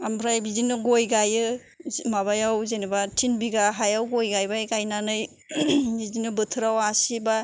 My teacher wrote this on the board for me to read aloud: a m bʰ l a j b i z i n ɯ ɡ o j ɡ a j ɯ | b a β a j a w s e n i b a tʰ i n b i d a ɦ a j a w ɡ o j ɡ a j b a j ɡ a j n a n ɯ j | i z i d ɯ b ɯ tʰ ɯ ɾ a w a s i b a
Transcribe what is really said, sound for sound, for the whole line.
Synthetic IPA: a m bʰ ɾ a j b i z i n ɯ ɡ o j ɡ a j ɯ | m a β a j a w z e n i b a tʰ i n b i ɡ a ɦ a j a w ɡ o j ɡ a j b a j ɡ a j n a n ɯ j | i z i n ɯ b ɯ tʰ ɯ ɾ a w a s i b a